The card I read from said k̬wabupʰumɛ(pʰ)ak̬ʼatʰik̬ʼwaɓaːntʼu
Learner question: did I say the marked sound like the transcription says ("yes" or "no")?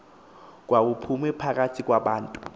yes